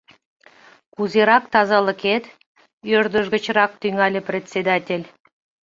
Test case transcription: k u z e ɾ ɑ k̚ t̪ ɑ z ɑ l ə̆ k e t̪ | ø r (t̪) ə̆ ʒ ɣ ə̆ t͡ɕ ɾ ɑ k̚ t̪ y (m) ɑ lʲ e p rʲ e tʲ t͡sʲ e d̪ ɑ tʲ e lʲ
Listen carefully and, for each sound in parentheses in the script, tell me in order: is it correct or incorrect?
incorrect, incorrect

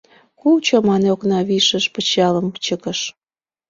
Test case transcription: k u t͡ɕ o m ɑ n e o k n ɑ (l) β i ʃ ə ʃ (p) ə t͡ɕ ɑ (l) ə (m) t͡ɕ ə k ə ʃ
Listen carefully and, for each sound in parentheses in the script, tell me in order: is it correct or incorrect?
incorrect, correct, correct, correct

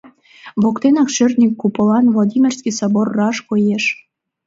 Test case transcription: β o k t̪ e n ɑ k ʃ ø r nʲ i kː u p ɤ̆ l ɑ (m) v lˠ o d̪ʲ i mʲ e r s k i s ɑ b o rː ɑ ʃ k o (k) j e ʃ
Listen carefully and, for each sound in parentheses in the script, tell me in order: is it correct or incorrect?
incorrect, incorrect

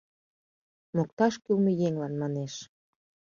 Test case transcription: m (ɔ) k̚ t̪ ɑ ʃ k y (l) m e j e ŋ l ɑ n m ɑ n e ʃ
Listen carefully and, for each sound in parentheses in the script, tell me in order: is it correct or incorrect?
incorrect, correct

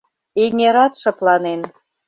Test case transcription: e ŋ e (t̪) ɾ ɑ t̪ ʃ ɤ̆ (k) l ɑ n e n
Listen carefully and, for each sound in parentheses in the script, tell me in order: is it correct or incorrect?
incorrect, incorrect

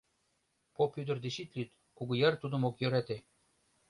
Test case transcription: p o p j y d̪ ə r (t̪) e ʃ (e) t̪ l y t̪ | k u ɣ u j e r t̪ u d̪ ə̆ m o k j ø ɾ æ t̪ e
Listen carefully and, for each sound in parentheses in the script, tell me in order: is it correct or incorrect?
incorrect, incorrect

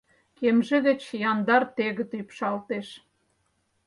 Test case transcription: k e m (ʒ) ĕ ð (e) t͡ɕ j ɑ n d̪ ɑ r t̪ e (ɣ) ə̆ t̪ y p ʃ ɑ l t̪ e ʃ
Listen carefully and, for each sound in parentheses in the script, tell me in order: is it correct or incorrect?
correct, correct, correct

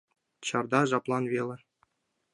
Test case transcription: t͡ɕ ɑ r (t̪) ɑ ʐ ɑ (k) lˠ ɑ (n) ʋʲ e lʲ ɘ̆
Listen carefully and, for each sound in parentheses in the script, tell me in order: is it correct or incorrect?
incorrect, incorrect, correct

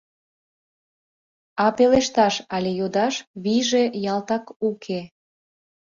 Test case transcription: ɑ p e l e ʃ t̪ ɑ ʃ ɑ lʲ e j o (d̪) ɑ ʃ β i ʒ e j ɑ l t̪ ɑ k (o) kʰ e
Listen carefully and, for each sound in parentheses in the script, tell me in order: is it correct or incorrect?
correct, incorrect

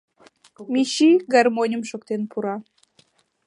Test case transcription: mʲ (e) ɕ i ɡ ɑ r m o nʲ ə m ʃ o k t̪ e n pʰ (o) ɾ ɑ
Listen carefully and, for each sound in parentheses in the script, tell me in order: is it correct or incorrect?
incorrect, incorrect

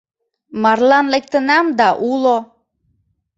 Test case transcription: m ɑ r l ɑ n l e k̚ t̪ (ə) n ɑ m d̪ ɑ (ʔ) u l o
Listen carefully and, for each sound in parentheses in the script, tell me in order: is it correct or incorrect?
correct, correct

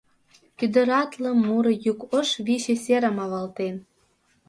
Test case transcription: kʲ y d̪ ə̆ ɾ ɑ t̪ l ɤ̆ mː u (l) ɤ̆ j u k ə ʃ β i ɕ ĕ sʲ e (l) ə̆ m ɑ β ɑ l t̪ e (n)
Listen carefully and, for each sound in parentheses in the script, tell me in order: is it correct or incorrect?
incorrect, incorrect, correct

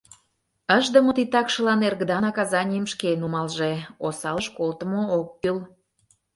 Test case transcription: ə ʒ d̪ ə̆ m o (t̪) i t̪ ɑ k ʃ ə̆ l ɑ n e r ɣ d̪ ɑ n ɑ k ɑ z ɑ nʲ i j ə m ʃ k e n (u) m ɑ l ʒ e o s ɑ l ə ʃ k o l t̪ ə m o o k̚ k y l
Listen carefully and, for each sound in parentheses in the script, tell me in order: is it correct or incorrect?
correct, correct

